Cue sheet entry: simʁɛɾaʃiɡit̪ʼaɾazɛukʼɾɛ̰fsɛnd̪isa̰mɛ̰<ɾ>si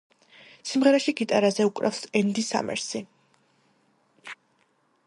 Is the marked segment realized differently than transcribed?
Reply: no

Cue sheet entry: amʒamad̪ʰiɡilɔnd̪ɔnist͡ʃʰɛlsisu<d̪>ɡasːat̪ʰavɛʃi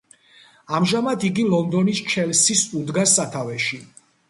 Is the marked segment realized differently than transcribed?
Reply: no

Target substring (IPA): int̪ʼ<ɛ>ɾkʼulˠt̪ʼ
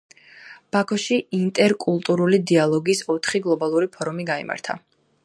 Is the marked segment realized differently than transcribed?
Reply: no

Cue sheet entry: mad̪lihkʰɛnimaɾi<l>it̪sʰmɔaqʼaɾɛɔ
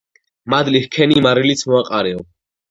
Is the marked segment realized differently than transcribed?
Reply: no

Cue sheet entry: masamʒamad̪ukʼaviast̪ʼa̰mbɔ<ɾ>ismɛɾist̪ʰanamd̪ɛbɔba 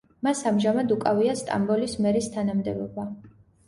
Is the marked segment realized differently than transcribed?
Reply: yes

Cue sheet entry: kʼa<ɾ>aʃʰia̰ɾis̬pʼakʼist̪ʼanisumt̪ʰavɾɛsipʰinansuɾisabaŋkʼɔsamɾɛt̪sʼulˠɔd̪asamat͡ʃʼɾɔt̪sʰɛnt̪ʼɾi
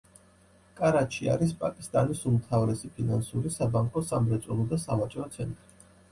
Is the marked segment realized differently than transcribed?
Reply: no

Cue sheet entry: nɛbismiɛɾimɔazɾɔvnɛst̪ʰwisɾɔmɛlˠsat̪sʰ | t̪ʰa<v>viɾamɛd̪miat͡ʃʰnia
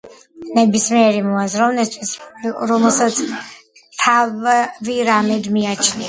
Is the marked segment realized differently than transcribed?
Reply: no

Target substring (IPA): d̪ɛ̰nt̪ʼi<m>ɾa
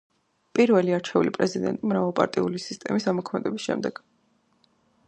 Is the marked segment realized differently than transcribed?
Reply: no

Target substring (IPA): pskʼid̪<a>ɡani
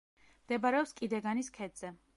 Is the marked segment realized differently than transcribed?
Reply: yes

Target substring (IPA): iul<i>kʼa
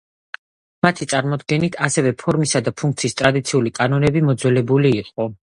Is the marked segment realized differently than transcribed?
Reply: no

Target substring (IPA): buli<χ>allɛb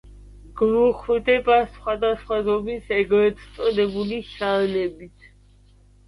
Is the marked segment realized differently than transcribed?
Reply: yes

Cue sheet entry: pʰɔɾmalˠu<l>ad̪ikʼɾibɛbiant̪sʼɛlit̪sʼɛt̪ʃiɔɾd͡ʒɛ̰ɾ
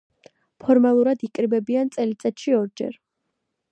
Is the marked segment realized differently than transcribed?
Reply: yes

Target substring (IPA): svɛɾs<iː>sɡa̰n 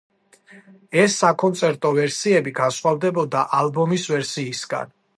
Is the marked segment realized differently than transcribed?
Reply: no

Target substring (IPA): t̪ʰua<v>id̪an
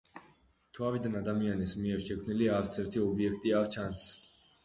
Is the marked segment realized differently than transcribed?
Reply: no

